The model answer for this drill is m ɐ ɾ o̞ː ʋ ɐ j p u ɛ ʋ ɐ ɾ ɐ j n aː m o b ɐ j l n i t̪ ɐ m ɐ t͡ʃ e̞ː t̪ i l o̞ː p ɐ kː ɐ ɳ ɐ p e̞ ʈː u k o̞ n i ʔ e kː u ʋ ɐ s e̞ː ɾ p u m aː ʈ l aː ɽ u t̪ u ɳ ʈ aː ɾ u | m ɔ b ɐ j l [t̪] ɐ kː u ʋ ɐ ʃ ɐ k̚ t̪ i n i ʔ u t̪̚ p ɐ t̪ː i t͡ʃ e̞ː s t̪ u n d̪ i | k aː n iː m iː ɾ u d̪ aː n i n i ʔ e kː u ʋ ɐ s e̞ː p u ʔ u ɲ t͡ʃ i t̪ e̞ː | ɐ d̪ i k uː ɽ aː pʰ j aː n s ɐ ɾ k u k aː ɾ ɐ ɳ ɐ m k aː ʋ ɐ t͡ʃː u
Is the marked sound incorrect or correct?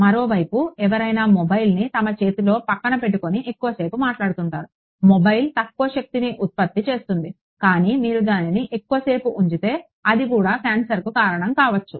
correct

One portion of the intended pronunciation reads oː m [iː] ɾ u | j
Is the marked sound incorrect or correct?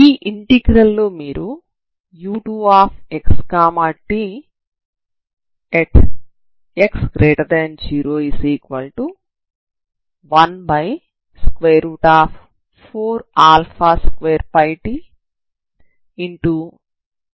correct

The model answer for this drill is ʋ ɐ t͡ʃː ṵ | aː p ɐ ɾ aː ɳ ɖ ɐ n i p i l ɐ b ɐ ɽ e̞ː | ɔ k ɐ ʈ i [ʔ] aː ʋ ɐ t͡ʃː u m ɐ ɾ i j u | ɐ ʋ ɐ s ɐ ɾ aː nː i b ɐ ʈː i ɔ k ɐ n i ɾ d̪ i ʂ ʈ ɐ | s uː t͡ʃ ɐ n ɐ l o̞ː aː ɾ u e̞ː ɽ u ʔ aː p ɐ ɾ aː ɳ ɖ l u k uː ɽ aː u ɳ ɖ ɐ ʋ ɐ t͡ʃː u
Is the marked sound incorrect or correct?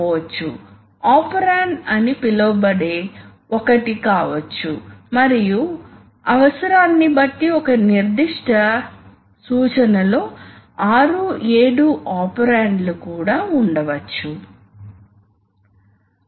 incorrect: k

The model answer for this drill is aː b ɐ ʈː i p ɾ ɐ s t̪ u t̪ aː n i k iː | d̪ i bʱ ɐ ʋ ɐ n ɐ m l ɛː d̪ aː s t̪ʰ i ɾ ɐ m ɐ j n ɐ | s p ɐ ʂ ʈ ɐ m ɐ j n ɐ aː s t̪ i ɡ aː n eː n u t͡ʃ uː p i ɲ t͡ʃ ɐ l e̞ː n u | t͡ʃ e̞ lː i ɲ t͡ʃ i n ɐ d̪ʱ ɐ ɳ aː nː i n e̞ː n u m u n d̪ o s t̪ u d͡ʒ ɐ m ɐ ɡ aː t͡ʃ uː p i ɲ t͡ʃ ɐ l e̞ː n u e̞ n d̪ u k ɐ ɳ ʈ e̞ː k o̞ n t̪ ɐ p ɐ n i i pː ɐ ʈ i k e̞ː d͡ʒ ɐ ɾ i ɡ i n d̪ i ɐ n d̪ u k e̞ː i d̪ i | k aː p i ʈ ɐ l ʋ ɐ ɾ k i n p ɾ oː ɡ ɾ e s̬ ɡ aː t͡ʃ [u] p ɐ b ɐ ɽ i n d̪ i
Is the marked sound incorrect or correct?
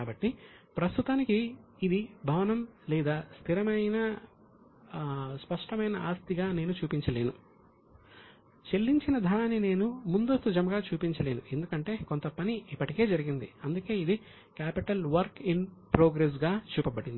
incorrect: uː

